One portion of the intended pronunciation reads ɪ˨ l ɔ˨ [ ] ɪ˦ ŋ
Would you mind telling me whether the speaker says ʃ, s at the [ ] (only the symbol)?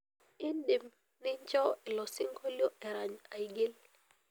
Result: s